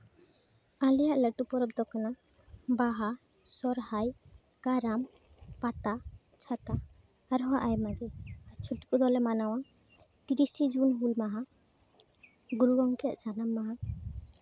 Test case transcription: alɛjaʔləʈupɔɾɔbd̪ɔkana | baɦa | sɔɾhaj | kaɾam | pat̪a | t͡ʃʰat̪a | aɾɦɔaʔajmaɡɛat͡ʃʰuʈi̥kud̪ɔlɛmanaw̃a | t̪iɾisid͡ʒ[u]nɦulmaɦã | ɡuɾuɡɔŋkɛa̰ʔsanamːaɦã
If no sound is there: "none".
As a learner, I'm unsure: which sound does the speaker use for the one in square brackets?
u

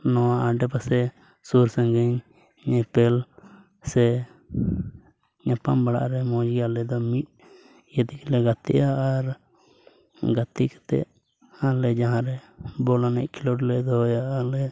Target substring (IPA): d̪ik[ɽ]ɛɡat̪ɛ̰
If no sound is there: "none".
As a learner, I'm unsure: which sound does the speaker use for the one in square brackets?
l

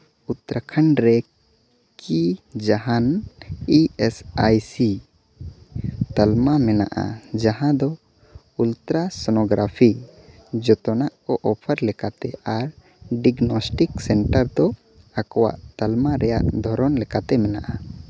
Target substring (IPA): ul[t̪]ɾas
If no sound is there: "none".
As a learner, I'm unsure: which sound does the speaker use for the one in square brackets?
t̪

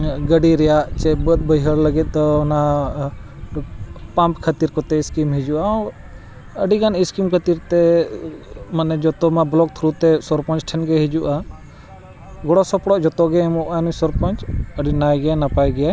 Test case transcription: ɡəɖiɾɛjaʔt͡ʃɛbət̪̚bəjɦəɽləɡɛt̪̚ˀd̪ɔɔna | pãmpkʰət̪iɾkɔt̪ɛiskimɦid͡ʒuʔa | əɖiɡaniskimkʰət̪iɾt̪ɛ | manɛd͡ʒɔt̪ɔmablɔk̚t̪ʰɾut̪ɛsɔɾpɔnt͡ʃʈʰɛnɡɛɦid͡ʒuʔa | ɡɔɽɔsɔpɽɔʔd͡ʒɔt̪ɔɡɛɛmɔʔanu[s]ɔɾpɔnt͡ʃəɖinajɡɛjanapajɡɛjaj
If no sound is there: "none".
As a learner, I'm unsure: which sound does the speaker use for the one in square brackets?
s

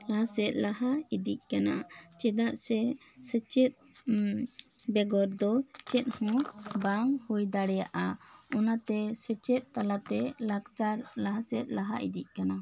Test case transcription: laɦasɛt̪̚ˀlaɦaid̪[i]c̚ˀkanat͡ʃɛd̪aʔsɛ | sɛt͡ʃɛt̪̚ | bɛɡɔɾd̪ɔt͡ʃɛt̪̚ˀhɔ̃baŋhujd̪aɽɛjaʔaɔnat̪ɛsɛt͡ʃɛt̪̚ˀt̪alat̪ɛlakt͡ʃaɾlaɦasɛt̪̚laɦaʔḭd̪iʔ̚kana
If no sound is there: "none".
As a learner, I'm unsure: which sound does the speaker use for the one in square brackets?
i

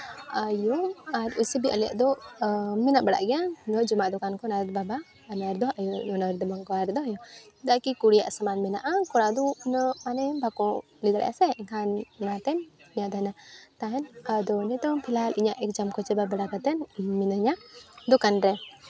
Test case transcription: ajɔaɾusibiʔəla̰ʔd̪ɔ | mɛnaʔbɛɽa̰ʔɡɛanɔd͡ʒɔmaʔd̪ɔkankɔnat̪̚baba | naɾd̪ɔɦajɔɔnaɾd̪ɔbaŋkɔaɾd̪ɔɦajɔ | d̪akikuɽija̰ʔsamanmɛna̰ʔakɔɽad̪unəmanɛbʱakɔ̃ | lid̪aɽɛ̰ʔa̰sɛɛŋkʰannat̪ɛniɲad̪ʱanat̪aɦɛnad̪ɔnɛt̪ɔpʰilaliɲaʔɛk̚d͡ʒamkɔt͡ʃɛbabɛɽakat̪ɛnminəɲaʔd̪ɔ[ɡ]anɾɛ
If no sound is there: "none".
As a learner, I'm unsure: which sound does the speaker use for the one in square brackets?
k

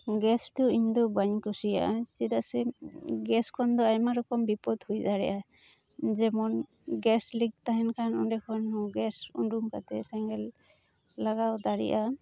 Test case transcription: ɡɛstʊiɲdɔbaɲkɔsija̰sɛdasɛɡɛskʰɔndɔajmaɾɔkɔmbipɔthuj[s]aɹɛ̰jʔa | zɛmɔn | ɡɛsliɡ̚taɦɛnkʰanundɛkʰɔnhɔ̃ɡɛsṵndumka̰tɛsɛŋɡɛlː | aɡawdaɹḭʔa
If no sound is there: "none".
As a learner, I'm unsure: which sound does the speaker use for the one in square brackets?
z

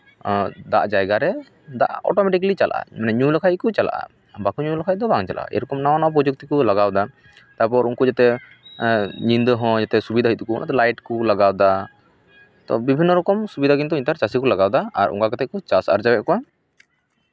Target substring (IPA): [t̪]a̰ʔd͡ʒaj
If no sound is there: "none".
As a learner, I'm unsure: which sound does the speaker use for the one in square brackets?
d̪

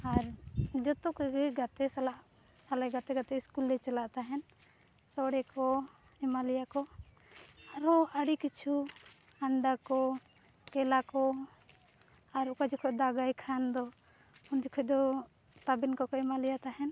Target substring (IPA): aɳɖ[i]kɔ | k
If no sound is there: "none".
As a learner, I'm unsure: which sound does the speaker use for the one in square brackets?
a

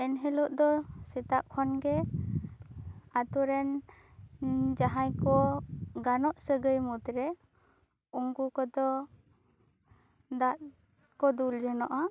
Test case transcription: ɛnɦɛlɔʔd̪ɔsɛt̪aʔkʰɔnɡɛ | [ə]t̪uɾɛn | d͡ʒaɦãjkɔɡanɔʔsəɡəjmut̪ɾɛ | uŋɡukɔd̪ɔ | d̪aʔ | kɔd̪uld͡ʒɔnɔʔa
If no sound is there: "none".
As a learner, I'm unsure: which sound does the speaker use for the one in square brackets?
a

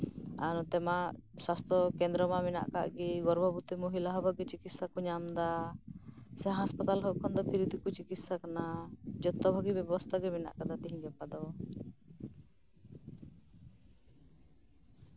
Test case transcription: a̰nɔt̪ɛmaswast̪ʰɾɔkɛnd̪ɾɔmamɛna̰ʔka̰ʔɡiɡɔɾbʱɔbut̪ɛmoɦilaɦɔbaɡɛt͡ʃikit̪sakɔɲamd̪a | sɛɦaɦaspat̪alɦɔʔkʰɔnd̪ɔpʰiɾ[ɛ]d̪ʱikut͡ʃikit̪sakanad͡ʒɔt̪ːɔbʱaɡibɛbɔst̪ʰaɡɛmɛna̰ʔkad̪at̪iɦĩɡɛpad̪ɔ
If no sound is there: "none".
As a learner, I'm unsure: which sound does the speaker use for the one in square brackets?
i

